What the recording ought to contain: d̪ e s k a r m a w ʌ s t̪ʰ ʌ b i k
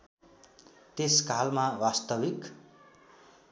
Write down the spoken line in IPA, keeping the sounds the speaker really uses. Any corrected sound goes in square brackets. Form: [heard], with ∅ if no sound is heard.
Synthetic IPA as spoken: [t̪] e s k a [l] m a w [a] s [t̪] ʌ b i k